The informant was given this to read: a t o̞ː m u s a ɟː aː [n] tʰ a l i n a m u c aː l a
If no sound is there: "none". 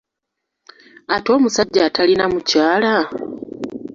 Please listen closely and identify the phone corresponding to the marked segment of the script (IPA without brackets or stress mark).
none